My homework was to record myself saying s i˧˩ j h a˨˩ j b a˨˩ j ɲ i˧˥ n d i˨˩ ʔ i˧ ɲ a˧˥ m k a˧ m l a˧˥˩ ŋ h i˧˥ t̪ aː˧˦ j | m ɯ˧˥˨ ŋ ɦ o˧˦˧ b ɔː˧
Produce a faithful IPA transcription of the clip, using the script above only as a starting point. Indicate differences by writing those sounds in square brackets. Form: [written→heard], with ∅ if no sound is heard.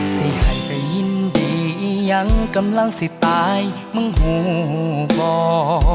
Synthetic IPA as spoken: s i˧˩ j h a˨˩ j [b→p] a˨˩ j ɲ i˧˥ n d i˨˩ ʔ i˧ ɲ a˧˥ [m→ŋ] k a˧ m l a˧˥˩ ŋ [h→s] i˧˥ t̪ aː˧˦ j | m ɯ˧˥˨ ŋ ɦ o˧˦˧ b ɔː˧